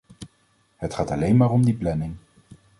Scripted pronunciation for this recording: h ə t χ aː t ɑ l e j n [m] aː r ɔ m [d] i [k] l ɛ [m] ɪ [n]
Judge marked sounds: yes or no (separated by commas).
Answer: yes, yes, no, no, no